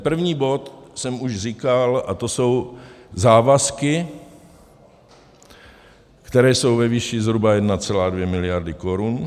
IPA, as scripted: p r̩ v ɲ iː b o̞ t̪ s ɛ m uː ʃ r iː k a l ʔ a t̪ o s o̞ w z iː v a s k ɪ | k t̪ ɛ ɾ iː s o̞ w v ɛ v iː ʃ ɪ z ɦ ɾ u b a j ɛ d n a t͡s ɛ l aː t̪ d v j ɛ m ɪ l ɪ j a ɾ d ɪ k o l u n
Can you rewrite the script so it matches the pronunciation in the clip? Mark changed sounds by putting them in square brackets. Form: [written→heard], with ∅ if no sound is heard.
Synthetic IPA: p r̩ v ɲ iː b o̞ t̪ s ɛ m [uː→u] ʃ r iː k a l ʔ a t̪ o s o̞ w z [iː→aː] v a s k ɪ | k t̪ ɛ ɾ [iː→ɛː] s o̞ w v ɛ v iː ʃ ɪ z ɦ ɾ u b a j ɛ d n a t͡s ɛ l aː [t̪→∅] d v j ɛ m ɪ l ɪ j a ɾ d ɪ k o [l→ɾ] u n